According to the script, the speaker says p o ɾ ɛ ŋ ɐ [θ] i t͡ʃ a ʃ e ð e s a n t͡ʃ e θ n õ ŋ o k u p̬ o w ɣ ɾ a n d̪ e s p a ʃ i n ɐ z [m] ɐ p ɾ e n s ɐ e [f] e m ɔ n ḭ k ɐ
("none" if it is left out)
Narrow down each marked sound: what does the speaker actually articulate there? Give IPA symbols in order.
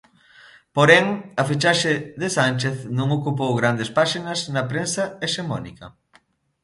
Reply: f, n, ʃ

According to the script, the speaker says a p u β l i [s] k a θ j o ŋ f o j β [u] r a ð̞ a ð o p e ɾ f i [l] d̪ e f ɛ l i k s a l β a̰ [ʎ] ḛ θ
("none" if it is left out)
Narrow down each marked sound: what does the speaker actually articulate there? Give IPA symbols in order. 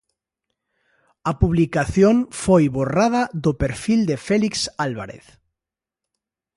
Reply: none, o, l, ɾ

